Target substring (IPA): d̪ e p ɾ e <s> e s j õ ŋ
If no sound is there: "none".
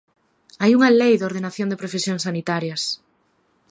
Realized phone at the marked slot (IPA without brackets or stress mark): f